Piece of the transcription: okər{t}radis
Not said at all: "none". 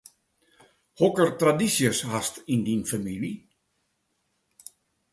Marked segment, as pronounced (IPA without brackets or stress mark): t